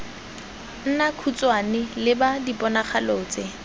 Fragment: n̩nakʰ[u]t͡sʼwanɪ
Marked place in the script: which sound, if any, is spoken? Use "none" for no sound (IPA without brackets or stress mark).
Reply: u